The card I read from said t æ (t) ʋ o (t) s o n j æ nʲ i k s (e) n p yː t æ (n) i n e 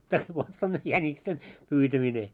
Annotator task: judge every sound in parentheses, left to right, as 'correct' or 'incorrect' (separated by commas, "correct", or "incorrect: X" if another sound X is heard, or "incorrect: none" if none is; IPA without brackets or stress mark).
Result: incorrect: s, correct, correct, incorrect: m